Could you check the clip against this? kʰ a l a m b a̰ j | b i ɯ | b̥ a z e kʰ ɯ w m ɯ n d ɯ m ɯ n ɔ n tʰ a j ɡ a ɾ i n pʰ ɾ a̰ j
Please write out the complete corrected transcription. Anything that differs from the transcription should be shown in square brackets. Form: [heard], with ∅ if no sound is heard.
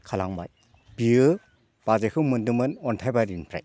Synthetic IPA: kʰ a l a [ŋ] b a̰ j | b i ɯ | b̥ a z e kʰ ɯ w m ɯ n d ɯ m ɯ n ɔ n tʰ a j [b] a ɾ i n pʰ ɾ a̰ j